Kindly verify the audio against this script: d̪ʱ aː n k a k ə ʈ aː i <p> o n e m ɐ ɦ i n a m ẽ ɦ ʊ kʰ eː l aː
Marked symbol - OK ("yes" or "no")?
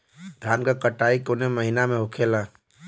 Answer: no